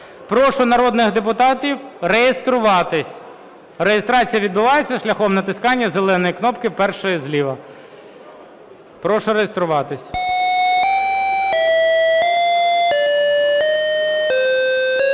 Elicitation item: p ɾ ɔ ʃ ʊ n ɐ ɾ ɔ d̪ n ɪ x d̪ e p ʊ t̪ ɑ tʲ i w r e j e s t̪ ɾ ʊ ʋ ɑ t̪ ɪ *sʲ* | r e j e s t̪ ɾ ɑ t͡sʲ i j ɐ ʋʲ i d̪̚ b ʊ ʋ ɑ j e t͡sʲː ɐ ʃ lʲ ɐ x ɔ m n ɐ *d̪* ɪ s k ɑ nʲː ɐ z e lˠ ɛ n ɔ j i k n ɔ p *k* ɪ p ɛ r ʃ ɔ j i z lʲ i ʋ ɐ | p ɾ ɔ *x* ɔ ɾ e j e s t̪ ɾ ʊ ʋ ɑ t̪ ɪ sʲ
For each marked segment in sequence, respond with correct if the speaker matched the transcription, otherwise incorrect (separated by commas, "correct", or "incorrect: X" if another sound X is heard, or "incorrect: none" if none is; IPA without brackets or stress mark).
correct, incorrect: t̪, correct, incorrect: ʃ